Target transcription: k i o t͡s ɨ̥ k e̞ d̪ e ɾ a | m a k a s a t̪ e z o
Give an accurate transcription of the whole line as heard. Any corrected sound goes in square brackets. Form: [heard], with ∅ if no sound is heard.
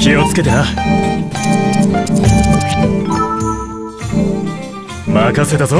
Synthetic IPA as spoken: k i o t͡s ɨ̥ k e̞ [t̪] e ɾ a | m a k a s [e] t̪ [a] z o